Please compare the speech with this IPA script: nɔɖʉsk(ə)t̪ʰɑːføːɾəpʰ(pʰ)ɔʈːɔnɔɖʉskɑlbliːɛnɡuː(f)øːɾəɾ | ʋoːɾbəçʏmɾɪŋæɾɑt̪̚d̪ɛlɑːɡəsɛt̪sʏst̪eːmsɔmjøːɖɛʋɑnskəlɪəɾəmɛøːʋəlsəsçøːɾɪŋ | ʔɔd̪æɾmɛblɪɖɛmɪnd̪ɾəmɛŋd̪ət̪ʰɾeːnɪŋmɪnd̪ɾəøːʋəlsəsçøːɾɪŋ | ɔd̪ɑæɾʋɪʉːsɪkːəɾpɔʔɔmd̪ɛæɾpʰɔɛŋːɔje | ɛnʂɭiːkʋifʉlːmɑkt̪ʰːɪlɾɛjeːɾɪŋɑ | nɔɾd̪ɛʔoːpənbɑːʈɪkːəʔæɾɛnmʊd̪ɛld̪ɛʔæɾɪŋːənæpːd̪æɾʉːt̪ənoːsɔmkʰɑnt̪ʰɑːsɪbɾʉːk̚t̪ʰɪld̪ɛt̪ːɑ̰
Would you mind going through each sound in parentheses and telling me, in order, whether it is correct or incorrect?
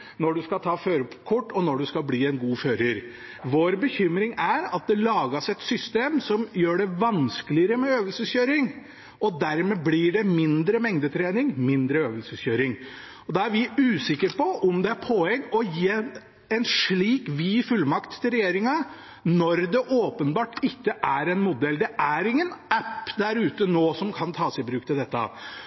incorrect, incorrect, correct

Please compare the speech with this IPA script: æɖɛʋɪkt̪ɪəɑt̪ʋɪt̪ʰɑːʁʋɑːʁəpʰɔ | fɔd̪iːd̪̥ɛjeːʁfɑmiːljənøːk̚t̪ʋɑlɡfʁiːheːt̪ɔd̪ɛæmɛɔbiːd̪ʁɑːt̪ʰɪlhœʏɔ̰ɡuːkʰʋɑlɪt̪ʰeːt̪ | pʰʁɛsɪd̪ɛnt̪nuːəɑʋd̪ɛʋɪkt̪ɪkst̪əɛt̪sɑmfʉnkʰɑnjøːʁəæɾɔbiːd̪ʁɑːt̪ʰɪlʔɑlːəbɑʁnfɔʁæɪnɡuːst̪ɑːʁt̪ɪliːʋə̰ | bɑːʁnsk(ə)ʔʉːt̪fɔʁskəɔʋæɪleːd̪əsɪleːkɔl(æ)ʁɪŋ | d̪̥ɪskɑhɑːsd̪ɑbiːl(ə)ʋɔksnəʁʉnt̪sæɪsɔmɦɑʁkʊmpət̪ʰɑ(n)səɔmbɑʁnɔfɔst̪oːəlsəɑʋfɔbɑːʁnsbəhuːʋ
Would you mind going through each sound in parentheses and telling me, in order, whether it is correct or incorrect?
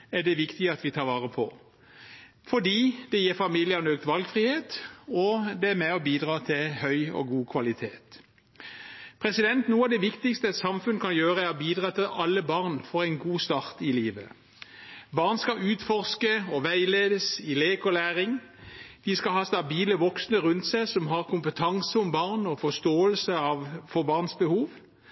incorrect, incorrect, correct, incorrect

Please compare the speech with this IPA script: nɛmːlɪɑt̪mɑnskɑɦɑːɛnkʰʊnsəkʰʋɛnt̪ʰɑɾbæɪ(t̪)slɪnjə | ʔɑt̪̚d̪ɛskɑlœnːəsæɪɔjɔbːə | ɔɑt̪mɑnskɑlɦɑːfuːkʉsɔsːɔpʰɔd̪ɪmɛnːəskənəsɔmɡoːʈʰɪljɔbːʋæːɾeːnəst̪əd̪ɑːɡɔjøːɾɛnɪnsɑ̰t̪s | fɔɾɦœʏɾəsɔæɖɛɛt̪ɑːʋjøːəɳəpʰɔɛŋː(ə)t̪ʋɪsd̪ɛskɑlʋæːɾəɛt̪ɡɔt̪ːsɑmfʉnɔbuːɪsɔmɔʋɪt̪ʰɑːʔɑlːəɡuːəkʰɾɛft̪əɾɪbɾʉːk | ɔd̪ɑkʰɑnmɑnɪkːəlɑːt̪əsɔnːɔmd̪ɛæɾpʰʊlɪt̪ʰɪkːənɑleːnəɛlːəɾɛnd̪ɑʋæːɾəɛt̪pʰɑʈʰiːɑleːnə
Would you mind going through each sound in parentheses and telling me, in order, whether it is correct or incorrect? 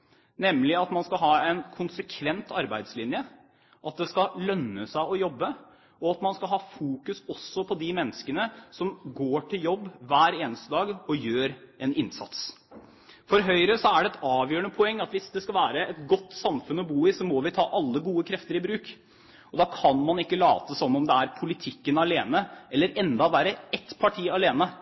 incorrect, incorrect

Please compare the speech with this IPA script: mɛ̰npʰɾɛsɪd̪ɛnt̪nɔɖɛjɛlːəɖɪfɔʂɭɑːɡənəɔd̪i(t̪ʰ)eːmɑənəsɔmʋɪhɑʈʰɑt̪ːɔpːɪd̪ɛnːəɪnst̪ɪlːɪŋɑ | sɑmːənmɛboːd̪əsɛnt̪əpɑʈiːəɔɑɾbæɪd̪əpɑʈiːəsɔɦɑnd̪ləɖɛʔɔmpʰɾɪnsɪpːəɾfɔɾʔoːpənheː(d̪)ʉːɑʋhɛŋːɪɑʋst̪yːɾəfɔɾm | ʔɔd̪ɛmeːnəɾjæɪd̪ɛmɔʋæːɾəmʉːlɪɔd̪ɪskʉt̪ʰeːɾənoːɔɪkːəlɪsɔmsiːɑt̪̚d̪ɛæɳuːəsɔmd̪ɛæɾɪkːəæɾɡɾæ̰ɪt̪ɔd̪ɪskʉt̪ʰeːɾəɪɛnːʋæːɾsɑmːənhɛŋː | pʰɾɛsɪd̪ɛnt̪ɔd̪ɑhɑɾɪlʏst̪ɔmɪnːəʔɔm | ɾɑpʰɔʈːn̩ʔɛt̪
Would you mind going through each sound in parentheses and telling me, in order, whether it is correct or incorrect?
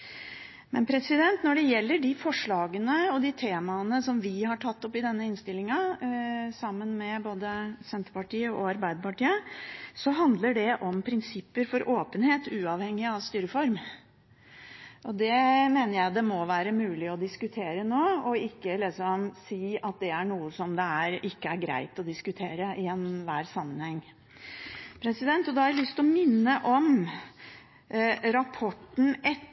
correct, incorrect

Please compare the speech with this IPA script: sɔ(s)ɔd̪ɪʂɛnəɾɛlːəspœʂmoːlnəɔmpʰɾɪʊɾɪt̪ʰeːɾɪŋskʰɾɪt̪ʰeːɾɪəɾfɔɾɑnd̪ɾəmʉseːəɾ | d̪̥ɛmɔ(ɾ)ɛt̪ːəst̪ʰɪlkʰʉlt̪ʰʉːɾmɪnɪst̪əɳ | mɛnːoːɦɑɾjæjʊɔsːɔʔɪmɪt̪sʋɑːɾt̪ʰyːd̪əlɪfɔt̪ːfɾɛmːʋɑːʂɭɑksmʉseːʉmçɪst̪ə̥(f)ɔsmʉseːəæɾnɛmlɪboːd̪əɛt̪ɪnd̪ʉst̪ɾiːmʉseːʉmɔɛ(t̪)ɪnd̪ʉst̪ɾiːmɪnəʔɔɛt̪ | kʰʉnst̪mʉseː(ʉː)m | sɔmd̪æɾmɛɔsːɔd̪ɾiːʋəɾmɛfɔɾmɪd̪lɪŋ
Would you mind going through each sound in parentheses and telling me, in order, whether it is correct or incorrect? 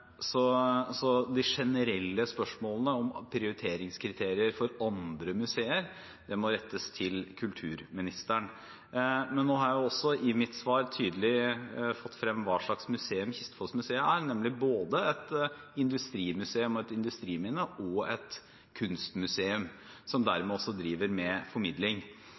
correct, correct, correct, correct, incorrect

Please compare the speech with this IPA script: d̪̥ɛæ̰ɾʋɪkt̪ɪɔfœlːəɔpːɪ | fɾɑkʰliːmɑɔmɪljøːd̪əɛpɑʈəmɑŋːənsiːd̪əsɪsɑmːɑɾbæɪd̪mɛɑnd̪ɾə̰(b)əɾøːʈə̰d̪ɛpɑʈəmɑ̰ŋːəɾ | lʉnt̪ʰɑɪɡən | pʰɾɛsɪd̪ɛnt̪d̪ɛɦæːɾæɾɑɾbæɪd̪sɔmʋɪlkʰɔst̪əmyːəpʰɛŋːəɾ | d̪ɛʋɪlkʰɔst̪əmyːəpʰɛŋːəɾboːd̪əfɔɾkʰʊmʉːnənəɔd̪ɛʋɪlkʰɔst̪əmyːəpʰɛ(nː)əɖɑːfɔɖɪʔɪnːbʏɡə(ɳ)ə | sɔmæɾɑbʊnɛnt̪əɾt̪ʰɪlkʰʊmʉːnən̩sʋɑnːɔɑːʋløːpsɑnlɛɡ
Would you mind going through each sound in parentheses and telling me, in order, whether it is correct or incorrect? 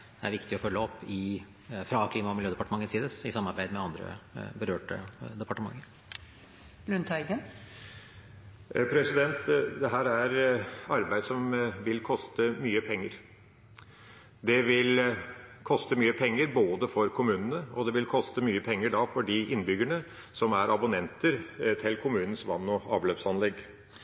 correct, incorrect, correct

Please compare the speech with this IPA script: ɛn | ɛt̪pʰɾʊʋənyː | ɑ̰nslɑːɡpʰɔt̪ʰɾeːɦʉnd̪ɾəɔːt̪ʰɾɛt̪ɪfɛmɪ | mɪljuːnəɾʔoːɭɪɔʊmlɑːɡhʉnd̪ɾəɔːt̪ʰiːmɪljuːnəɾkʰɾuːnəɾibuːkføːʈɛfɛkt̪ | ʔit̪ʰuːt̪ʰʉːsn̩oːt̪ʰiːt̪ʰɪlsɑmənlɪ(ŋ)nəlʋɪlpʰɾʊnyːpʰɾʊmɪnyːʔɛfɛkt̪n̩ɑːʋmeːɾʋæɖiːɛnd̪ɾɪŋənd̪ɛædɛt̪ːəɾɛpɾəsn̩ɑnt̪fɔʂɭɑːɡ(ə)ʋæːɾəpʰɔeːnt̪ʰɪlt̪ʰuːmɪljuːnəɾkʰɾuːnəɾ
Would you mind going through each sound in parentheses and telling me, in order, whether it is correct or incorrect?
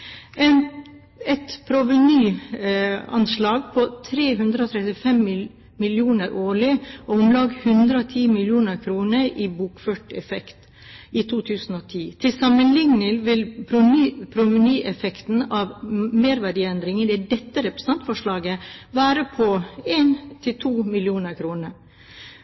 correct, correct

